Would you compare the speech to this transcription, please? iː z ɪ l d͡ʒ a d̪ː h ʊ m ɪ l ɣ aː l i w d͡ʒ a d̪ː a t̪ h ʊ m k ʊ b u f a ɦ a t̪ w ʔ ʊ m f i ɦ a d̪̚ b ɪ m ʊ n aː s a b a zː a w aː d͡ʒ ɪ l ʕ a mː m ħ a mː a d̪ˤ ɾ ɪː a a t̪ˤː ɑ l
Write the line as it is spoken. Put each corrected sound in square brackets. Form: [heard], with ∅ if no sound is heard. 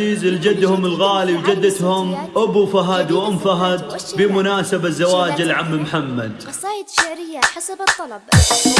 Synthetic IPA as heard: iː z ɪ l d͡ʒ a d̪ː h ʊ m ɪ l ɣ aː l i w d͡ʒ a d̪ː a t̪ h ʊ m [ʔ] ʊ b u f a ɦ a [d̪] w ʔ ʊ m f [a] ɦ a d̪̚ b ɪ m ʊ n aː s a b a zː a w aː d͡ʒ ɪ l ʕ a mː m ħ a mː a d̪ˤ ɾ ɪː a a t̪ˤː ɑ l

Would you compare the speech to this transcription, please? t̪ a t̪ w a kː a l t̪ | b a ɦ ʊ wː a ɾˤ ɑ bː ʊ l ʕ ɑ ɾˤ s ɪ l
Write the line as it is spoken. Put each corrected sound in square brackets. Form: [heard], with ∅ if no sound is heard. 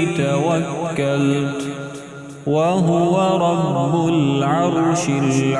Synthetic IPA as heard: t̪ a [∅] w a kː a l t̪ | [w] a ɦ ʊ [w] a ɾˤ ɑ bː ʊ l ʕ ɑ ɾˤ [ʃ] ɪ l

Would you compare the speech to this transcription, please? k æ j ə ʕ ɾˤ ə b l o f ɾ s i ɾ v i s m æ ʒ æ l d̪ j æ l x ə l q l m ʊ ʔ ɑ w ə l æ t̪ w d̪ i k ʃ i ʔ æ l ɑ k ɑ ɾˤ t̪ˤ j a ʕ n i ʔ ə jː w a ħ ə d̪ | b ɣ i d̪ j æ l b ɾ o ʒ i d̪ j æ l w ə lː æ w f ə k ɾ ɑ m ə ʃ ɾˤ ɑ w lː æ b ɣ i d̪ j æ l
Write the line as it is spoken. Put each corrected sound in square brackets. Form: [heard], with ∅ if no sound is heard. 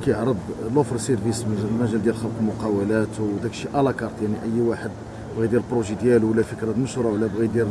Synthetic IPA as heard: k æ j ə ʕ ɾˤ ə b l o f ɾ s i ɾ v i s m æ ʒ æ l d̪ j æ l x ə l q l m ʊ [q] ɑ w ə l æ t̪ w d̪ [æ] k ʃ i ʔ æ l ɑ k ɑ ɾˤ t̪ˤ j a ʕ n i ʔ ə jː w a ħ ə d̪ | b ɣ i d̪ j æ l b ɾ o ʒ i d̪ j æ l w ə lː æ [∅] f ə k ɾ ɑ m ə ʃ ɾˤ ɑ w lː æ b ɣ i d̪ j æ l

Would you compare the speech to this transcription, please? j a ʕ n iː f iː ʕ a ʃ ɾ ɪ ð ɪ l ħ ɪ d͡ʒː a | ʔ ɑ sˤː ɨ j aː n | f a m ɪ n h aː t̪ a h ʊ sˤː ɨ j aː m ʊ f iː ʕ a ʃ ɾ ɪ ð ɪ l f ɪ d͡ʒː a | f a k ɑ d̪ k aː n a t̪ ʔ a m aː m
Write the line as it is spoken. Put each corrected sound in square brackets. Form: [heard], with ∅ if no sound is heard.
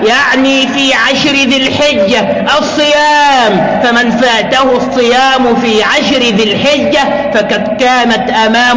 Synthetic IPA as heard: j a ʕ n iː f iː ʕ a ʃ ɾ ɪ ð ɪ l ħ ɪ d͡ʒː a | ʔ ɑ sˤː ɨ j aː [m] | f a m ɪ n [f] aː t̪ a h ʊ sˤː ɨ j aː m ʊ f iː ʕ a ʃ ɾ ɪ ð ɪ l [ħ] ɪ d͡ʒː a | f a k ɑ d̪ k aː n a t̪ ʔ a m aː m

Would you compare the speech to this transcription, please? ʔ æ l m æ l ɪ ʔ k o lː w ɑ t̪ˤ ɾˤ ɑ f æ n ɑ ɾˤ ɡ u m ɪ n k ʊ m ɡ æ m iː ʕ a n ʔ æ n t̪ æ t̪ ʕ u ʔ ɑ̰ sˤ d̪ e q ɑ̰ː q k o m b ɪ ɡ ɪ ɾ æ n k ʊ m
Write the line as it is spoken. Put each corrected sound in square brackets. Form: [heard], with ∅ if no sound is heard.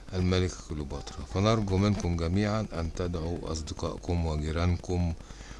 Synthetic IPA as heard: ʔ æ l m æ l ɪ [k] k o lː [b] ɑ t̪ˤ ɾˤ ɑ f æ n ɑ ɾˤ ɡ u m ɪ n k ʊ m ɡ æ m iː ʕ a n ʔ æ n t̪ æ [d̪] ʕ u ʔ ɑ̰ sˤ d̪ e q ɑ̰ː [ʔ] k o m [w] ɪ ɡ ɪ ɾ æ n k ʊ m

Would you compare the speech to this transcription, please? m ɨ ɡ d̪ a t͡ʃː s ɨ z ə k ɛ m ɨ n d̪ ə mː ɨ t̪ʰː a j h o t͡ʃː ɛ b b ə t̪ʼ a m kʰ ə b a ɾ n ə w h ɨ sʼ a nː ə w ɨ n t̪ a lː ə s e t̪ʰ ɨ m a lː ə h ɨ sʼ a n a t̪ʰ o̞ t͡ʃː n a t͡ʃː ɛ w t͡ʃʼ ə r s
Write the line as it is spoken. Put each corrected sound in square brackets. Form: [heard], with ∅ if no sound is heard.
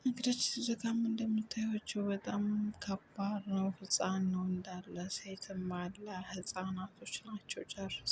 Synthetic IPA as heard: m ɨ ɡ d̪ a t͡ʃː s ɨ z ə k [a] m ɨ n d̪ ə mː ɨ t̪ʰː a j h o t͡ʃː ɛ [w] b ə t̪ʼ a m kʰ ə b a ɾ n ə w h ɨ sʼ a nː ə w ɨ n [d̪] a lː ə s e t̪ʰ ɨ m a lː ə h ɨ sʼ a n a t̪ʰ o̞ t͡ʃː n a t͡ʃː ɛ w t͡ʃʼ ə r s

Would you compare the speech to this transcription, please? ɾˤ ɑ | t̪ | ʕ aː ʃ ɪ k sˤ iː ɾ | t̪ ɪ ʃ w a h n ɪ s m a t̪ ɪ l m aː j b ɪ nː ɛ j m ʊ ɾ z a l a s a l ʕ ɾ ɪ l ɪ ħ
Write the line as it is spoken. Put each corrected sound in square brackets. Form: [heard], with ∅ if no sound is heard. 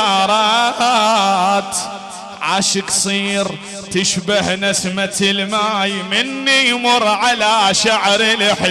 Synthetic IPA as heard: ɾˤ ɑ | t̪ | ʕ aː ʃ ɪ k sˤ iː ɾ | t̪ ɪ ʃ [b] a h n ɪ s m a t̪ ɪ l m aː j [m] ɪ nː [i] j m ʊ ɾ [ʕ] a l a [ʃ] a [∅] ʕ ɾ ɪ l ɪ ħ

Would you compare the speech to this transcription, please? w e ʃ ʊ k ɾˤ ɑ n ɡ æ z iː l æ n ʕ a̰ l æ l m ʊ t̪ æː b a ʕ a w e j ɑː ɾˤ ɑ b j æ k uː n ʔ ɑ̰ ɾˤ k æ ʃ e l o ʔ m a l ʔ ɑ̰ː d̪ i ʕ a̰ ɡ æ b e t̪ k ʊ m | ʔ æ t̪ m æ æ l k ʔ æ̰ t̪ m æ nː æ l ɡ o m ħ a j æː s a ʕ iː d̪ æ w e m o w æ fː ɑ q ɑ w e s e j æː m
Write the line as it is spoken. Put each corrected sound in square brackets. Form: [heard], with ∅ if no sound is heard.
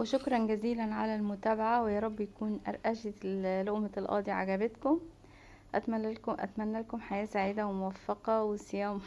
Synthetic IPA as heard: w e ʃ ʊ k ɾˤ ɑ n ɡ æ z iː l æ n ʕ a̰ l æ l m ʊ t̪ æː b a ʕ a w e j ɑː ɾˤ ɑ [bː] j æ k uː n ʔ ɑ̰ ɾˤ [ʔ] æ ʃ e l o ʔ m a l ʔ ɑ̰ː d̪ i ʕ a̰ ɡ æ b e t̪ k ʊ m | ʔ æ t̪ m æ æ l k ʔ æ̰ t̪ m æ nː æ l [k] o m ħ a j æː s a ʕ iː d̪ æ w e m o w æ fː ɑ q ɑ w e s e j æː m

